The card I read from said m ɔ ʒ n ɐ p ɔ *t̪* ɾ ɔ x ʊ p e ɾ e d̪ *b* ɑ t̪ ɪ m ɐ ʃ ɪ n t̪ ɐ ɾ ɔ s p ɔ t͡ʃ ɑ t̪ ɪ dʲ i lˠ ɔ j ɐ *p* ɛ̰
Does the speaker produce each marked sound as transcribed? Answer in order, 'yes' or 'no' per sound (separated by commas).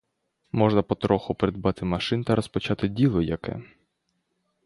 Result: yes, yes, no